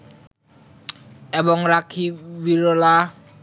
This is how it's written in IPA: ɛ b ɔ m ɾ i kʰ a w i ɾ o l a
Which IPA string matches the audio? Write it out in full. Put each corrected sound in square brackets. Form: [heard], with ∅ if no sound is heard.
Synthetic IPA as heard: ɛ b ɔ [ŋ] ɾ [a] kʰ [i] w i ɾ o l a